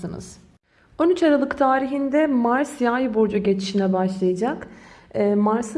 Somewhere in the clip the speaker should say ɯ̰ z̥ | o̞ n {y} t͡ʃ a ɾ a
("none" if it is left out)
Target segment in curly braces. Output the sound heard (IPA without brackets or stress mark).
y